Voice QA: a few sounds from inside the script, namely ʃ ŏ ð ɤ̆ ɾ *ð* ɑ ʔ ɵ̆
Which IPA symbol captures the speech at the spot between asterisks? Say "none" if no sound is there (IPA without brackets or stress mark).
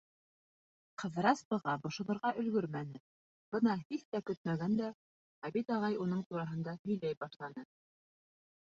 ʁ